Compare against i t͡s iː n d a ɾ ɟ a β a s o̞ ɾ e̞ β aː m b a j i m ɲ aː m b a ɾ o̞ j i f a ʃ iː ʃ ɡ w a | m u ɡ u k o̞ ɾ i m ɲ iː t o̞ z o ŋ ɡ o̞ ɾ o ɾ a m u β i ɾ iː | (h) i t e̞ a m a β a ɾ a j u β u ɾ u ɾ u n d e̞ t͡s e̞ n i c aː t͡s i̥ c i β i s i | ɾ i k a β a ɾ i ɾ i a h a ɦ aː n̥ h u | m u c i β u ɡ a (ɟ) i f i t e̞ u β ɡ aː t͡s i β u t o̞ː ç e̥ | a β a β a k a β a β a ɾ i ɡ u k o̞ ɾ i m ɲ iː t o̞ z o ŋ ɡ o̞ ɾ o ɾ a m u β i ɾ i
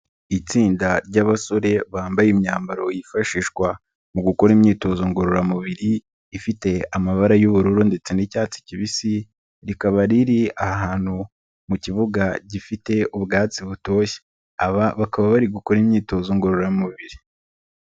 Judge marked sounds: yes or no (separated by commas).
no, yes